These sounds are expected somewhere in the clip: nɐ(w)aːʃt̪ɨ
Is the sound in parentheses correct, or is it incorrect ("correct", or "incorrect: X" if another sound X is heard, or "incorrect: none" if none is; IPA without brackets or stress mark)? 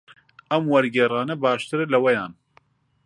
incorrect: b